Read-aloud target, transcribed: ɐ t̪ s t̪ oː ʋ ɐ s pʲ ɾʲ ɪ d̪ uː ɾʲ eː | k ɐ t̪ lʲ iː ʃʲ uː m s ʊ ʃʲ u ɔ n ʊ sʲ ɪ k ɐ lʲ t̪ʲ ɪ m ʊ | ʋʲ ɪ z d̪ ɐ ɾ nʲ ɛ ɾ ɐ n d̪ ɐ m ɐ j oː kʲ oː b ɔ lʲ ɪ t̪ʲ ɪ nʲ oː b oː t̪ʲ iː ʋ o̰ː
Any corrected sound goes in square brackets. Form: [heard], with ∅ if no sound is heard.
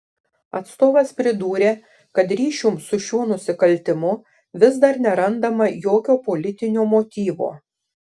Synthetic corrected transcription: ɐ t̪ s t̪ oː ʋ ɐ s pʲ ɾʲ ɪ d̪ uː ɾʲ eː | k ɐ t̪ [ɾʲ] iː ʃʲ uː m s ʊ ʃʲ u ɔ n ʊ sʲ ɪ k ɐ lʲ t̪ʲ ɪ m ʊ | ʋʲ ɪ z d̪ ɐ ɾ nʲ ɛ ɾ ɐ n d̪ ɐ m ɐ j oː kʲ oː [p] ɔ lʲ ɪ t̪ʲ ɪ nʲ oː [m] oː t̪ʲ iː ʋ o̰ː

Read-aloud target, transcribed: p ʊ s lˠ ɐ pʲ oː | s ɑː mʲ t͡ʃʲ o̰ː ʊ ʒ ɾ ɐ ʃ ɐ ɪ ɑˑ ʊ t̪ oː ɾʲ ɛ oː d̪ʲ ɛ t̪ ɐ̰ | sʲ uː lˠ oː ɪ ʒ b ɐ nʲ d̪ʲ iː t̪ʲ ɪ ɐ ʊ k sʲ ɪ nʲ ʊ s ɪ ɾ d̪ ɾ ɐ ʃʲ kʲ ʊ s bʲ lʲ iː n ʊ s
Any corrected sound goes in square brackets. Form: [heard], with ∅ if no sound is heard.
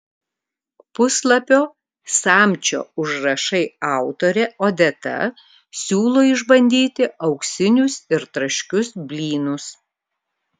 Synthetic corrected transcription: p ʊ s lˠ ɐ pʲ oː | s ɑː mʲ t͡ʃʲ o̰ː ʊ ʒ ɾ ɐ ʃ ɐ ɪ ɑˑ ʊ t̪ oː ɾʲ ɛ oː d̪ʲ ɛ t̪ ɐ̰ | sʲ uː lˠ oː ɪ ʒ b ɐ nʲ d̪ʲ iː t̪ʲ ɪ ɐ ʊ k sʲ ɪ nʲ ʊ s ɪ ɾ [t̪] ɾ ɐ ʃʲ kʲ ʊ s bʲ lʲ iː n ʊ s

